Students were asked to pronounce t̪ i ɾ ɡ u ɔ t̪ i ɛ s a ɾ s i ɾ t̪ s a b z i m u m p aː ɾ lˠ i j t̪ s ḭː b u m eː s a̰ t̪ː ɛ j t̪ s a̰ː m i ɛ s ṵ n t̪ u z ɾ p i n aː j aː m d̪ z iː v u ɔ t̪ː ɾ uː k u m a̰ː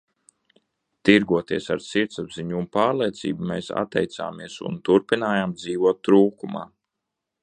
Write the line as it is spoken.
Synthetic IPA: t̪ i ɾ ɡ u ɔ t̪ i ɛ s a ɾ s i ɾ t̪ s a b z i ɲ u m p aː ɾ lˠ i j t̪ s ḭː b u m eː s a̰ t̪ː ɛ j t̪ s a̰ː m i ɛ s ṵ n t̪ u ɾ p i n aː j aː m d̪ z iː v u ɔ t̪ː ɾ uː k u m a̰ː